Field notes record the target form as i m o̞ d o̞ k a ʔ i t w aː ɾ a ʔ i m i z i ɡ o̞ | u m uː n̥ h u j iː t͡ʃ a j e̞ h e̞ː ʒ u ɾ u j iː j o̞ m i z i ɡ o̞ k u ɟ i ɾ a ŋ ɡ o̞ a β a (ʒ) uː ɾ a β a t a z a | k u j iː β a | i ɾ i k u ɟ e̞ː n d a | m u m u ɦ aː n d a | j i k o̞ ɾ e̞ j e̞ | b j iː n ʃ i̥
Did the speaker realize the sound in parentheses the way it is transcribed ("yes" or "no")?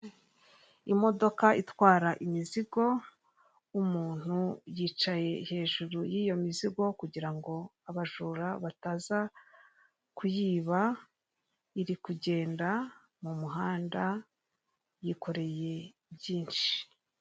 yes